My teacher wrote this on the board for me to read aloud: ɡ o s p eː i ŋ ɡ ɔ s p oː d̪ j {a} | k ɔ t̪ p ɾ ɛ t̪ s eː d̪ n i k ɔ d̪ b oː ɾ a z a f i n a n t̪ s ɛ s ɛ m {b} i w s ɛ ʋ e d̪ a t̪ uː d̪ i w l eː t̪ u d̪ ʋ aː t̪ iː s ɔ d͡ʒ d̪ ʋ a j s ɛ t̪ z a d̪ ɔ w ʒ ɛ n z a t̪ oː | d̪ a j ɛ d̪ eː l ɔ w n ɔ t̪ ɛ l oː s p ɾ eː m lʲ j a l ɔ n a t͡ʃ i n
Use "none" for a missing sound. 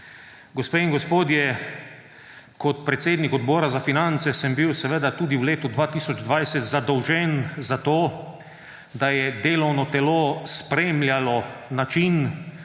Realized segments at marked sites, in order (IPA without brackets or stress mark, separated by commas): ɛ, b